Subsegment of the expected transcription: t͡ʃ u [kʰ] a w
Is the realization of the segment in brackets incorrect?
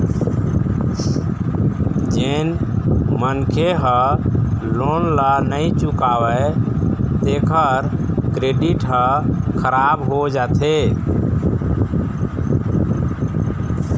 yes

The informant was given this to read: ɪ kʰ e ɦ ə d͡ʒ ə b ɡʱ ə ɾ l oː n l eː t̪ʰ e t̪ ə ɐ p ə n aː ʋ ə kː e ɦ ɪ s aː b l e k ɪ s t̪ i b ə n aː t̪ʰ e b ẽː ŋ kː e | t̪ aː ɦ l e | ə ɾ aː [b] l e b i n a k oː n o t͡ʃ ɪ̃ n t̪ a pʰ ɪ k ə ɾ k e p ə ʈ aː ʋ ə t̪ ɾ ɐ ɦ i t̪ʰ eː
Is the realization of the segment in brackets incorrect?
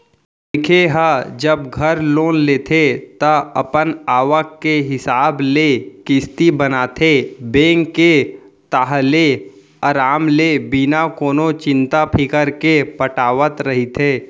yes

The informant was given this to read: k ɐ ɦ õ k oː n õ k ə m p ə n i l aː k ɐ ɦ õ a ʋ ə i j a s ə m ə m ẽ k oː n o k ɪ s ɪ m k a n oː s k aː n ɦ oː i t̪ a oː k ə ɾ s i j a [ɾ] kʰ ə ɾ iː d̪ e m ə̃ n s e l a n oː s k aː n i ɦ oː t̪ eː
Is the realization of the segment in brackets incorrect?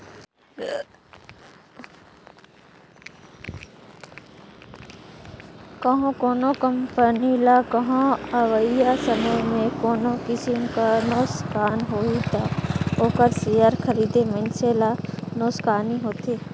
no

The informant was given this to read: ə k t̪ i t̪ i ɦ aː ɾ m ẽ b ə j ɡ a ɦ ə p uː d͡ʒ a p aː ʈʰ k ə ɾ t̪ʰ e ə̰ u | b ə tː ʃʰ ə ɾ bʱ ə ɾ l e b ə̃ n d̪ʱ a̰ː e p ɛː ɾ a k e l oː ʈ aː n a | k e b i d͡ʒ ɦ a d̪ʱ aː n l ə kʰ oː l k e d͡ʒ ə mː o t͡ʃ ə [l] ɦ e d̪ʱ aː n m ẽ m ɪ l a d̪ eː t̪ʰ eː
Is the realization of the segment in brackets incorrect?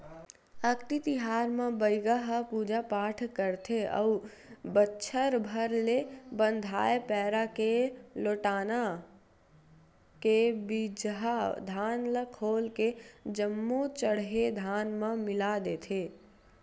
yes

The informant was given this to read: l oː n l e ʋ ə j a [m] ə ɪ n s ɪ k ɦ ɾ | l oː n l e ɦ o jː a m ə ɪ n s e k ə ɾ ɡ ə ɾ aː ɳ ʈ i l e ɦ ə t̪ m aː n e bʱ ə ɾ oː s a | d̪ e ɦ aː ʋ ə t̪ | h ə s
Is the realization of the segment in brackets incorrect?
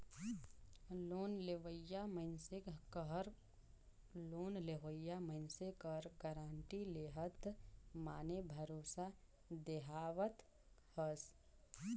no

